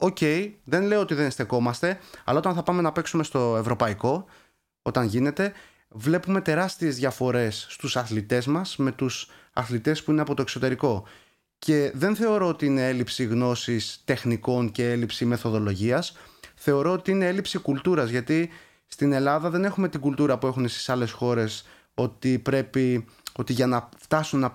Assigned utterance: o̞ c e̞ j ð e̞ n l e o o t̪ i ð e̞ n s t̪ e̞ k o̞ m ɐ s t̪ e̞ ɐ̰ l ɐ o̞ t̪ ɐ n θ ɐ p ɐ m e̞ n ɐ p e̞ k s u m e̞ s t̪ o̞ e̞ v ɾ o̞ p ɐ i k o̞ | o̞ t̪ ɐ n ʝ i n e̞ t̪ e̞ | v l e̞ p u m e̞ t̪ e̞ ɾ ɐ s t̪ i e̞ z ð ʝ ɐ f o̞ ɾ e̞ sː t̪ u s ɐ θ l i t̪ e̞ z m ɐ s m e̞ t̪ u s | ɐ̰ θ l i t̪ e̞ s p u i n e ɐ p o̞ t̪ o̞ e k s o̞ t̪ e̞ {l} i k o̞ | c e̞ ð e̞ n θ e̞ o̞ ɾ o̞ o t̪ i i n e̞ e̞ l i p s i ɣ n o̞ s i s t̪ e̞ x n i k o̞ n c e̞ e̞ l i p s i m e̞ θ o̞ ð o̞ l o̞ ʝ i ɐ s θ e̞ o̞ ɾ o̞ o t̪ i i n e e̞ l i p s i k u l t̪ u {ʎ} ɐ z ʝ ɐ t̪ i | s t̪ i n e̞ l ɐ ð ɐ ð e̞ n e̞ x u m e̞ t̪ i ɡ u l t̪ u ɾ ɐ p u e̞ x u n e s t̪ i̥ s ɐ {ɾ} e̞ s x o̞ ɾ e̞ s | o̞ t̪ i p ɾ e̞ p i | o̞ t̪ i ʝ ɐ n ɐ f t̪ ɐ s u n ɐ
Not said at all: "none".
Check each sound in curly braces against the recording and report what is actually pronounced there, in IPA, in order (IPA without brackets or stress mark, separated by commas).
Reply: ɾ, ɾ, l